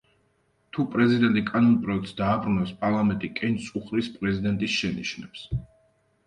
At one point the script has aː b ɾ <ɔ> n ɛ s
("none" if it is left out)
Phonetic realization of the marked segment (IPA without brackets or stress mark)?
u